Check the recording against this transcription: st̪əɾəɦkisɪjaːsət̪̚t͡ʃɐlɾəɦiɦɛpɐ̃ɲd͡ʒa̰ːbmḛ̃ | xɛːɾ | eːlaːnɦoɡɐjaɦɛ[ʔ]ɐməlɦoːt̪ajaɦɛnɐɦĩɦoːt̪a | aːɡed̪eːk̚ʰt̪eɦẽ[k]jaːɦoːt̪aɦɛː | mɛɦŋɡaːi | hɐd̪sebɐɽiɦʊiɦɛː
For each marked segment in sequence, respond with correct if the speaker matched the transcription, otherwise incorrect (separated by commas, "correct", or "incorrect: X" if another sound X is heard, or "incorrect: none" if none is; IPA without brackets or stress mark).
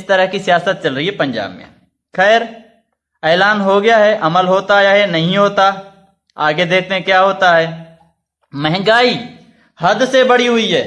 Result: correct, correct